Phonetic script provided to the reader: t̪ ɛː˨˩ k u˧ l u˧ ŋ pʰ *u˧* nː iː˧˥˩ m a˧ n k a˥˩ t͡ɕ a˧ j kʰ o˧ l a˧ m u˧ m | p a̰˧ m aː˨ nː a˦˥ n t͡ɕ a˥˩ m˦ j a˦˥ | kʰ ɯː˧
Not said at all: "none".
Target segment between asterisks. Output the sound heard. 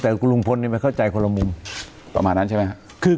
o˧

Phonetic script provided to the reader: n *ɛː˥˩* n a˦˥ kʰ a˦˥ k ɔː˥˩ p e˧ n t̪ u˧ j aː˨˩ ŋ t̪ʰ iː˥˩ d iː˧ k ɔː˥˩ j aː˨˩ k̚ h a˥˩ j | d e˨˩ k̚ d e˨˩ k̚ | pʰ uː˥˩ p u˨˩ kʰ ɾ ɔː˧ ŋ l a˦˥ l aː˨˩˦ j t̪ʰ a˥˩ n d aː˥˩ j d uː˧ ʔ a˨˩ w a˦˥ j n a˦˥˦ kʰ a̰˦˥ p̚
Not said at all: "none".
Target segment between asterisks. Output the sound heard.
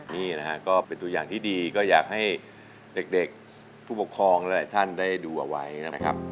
iː˥˩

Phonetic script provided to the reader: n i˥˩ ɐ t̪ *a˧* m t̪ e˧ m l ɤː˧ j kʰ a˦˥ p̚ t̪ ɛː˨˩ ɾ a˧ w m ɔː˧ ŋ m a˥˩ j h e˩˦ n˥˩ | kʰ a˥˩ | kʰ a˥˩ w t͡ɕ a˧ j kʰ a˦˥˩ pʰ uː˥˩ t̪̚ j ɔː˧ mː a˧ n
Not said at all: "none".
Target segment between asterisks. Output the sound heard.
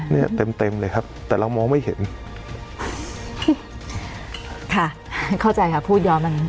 e˧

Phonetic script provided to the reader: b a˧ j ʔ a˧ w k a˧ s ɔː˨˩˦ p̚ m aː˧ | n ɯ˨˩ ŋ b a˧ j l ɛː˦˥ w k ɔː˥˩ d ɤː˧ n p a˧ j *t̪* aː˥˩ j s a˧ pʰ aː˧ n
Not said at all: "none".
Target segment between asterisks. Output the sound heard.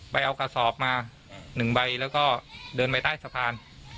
t̪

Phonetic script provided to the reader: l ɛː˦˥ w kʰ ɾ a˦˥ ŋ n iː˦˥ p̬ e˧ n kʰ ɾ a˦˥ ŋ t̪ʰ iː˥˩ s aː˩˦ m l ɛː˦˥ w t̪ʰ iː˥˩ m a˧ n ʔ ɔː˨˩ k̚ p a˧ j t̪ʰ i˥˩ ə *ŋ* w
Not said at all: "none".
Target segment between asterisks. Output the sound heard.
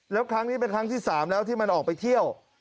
none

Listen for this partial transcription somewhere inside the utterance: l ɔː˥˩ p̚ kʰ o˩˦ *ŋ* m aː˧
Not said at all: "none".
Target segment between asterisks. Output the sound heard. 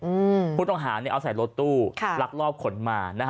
n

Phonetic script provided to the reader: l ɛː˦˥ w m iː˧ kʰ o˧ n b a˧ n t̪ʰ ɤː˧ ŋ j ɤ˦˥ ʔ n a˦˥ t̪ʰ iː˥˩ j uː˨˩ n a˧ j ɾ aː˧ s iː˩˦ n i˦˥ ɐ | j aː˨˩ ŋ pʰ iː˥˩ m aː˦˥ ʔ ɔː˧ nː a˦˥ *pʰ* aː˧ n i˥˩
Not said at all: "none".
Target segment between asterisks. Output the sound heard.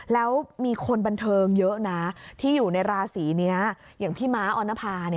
pʰ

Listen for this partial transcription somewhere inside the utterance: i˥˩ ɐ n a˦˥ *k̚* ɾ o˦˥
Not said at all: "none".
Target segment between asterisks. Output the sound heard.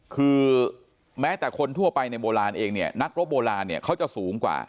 k̚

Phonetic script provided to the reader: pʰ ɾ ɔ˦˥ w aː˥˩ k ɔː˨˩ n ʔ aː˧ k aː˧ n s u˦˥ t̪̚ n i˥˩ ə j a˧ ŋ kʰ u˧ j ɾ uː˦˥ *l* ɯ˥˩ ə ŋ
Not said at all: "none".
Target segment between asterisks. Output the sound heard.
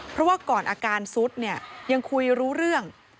ɾ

